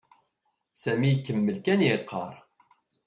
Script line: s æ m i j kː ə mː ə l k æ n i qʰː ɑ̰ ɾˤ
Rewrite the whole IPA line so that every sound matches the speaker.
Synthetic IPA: s æ m i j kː ə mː ə l k æ n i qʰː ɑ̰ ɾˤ